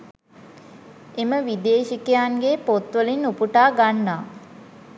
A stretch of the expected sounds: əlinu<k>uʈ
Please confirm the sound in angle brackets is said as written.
no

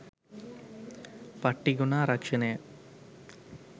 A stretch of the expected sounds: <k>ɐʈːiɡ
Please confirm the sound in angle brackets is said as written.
no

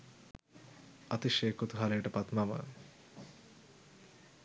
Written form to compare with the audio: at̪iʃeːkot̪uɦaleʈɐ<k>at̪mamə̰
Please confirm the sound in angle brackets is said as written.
no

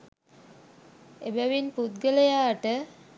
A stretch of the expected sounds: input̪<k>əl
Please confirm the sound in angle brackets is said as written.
no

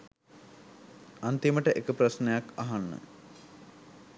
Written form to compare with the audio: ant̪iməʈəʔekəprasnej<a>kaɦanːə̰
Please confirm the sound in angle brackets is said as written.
yes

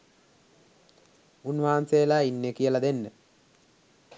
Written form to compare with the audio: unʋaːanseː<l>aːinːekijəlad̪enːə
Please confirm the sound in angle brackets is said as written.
yes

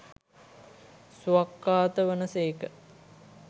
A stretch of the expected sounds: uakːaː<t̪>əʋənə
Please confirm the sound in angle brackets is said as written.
yes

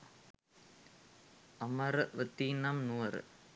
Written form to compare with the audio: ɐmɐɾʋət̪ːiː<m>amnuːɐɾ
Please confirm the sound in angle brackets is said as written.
no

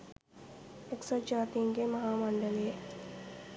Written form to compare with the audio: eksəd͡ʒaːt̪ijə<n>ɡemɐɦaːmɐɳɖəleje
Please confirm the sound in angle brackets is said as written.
no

